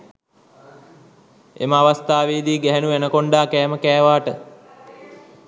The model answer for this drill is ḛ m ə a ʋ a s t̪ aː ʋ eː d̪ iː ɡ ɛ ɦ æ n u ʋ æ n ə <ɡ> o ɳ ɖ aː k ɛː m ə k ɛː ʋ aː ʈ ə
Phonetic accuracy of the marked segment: incorrect: k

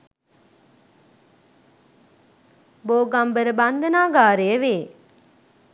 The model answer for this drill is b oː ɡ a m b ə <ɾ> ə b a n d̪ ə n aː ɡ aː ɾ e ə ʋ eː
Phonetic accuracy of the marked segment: correct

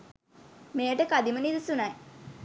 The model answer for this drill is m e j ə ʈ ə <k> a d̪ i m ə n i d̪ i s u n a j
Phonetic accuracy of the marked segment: correct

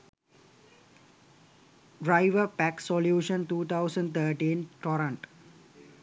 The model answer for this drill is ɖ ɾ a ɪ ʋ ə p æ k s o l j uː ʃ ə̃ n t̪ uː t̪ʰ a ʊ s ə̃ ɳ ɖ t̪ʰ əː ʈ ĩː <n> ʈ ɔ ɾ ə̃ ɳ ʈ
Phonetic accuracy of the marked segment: correct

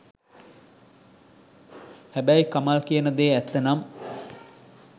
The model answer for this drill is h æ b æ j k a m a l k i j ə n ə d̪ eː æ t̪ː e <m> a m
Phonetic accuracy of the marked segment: incorrect: n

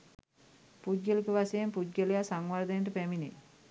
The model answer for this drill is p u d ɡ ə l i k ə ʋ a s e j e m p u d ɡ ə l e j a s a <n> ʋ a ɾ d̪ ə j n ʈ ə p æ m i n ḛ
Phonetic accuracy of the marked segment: incorrect: ŋ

